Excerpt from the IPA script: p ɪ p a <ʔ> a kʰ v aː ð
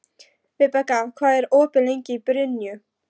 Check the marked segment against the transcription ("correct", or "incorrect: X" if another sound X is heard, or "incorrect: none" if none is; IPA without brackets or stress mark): incorrect: k